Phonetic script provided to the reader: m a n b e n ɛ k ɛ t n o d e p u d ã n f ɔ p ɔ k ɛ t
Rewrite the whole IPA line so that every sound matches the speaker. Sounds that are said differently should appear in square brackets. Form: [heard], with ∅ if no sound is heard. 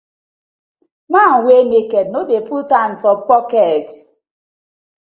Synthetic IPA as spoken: m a n [w] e n [e] k ɛ [d] n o d e p u [t] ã n f ɔ p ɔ k ɛ t

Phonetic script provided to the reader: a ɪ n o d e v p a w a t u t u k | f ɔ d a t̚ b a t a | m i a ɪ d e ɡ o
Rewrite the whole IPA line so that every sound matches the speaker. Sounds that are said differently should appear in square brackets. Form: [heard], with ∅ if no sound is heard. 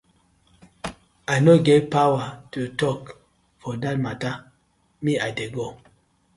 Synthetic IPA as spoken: a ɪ n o [ɡ] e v p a w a t u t [ɔ] k | f ɔ d a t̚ [m] a t a | m i a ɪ d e ɡ o

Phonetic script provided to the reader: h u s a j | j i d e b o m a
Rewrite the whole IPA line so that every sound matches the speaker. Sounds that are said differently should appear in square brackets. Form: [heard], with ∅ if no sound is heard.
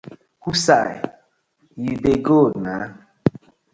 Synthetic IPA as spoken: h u s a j | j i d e [ɡ] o [n] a

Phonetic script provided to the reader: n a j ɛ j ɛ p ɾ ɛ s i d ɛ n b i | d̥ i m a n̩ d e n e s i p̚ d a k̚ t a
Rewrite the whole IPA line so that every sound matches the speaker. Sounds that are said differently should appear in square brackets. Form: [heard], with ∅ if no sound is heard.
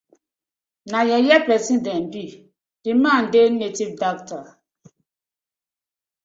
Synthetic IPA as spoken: n a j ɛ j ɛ p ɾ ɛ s i d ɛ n b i | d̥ i m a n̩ d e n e [t] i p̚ d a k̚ t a

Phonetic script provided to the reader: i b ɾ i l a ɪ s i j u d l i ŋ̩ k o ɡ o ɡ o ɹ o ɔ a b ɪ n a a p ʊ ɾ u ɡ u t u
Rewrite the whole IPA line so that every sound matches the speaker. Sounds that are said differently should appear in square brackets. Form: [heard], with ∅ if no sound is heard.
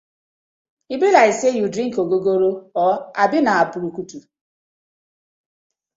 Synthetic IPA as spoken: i b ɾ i l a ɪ s [e] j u d [ɾ] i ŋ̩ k o ɡ o ɡ o [ɾ] o ɔ a b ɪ n a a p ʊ ɾ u [k] u t u

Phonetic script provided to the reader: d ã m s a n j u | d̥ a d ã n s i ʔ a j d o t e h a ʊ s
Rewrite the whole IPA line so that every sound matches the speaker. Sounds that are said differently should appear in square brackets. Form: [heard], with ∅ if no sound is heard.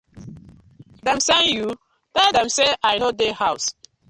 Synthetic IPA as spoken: d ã m s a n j u | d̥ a d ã [m] s [e] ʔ a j [n] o [d] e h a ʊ s

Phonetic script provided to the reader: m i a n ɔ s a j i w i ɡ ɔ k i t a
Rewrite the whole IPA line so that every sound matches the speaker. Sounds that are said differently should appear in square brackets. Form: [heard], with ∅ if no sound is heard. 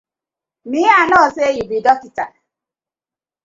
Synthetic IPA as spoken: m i a n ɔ s [e] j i [b] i [d] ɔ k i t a

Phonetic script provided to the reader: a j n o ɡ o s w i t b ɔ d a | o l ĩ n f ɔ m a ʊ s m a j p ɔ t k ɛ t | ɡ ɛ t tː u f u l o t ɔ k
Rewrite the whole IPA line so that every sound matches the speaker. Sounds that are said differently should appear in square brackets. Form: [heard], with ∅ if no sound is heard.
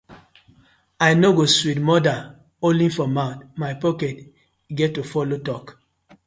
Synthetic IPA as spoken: a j n o ɡ o s w i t [m] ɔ d a | o l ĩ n f ɔ m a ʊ [t] m a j p ɔ [∅] k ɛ t | ɡ ɛ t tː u f [ɔ] l o t ɔ k

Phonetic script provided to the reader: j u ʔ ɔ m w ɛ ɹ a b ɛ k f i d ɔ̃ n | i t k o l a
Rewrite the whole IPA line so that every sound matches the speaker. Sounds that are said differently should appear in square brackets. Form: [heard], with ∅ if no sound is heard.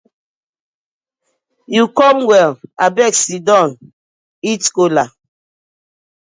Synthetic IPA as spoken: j u [k] ɔ m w ɛ [l] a b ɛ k [s] i d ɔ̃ n | i t k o l a

